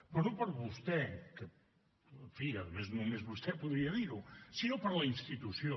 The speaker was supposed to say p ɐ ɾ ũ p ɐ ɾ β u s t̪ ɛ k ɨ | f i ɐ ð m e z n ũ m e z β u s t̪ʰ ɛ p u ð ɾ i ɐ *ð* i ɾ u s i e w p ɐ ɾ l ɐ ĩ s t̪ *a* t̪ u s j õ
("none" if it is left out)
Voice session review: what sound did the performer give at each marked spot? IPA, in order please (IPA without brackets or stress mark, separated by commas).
ð, i